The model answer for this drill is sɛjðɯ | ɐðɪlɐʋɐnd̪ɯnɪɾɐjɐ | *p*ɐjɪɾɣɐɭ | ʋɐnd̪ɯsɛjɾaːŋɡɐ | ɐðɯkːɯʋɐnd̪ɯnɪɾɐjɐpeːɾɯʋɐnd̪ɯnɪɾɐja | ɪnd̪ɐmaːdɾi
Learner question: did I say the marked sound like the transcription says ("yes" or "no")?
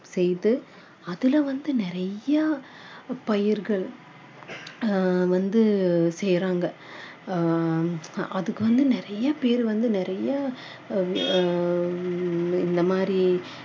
yes